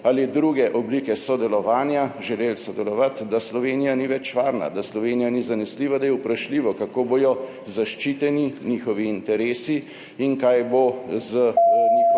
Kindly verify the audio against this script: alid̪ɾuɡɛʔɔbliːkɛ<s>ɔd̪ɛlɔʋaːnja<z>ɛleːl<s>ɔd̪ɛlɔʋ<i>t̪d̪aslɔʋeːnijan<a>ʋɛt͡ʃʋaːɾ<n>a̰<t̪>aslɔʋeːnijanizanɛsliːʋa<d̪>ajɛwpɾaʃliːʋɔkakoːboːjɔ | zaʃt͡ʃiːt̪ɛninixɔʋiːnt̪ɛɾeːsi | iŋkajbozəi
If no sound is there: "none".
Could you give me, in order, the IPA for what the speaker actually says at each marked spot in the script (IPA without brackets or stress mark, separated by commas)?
s, ʒ, s, a, i, n, d̪, d̪